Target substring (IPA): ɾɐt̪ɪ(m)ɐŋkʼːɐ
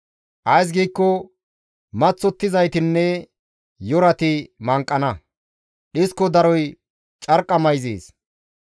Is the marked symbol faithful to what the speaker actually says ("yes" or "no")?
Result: yes